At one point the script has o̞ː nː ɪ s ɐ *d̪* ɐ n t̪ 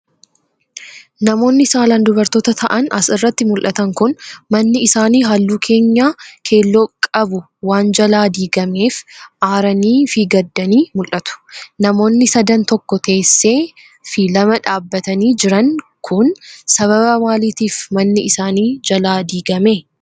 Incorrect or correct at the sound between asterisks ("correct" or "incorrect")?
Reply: correct